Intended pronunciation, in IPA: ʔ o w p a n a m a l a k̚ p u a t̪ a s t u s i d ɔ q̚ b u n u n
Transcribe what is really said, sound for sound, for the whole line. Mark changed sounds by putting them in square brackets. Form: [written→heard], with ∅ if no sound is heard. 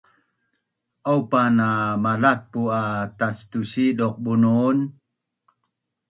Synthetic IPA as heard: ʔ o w p a n a m a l a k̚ p u a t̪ a s t u s i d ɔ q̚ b u n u n